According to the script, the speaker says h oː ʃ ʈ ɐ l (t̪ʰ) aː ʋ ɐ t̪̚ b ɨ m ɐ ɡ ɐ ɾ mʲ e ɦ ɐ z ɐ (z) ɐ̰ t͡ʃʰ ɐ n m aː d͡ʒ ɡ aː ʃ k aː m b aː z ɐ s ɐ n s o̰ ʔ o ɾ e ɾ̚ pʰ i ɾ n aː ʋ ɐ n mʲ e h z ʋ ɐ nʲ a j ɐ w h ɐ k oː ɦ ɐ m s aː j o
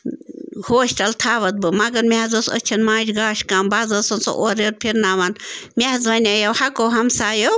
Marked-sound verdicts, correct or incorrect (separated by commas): correct, incorrect